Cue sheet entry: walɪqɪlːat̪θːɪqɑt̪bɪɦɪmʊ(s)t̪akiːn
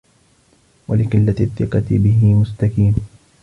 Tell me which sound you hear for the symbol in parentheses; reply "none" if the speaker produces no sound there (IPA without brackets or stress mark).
s